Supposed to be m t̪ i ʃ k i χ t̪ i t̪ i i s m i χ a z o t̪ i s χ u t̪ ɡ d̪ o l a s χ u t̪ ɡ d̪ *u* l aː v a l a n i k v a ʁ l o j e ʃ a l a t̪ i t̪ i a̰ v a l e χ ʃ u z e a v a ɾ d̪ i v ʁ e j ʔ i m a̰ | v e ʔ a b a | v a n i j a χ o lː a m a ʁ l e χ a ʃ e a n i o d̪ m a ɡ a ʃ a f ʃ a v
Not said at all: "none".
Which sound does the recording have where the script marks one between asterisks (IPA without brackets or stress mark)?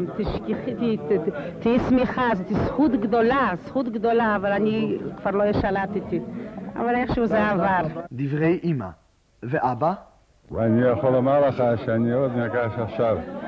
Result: o